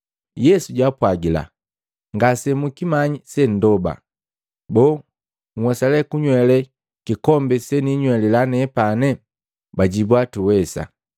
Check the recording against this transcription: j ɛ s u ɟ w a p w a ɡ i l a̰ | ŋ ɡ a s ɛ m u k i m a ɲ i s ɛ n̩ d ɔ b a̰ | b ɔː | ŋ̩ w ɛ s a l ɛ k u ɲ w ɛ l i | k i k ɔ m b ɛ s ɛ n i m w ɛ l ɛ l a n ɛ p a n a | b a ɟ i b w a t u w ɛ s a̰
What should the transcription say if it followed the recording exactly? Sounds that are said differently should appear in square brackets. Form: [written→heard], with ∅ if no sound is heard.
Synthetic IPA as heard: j ɛ s u ɟ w a p w a ɡ i l a̰ | ŋ ɡ a s ɛ m u k i m a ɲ i s ɛ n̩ d ɔ b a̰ | b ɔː | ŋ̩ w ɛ s a l ɛ k u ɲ w ɛ l [i→ɛ] | k i k ɔ m b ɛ s ɛ n i [m→ɲ] w ɛ l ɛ l a n ɛ p a n [a→ɛ] | b a ɟ i b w a t u w ɛ s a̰